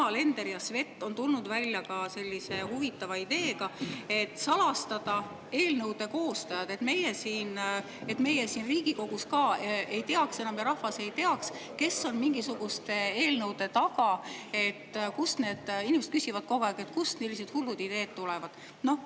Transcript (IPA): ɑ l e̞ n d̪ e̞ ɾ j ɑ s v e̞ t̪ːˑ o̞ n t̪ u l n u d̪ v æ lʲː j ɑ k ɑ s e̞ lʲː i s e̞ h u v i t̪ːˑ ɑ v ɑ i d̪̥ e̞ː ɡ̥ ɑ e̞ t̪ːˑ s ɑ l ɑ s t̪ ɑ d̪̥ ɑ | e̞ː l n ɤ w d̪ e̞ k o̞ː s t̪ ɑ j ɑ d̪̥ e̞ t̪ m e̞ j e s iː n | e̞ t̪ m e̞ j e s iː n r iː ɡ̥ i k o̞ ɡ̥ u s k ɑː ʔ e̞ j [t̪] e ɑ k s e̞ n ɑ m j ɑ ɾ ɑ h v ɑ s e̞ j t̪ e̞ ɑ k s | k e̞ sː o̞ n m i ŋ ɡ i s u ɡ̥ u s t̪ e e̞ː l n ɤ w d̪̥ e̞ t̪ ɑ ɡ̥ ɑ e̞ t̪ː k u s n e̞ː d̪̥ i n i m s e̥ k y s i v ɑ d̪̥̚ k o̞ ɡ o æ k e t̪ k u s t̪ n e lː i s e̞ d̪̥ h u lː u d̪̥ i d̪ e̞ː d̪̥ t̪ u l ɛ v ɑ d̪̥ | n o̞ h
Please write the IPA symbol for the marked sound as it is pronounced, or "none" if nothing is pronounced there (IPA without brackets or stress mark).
t̪